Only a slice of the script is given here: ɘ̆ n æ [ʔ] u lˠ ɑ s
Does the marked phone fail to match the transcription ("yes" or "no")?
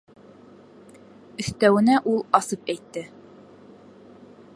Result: no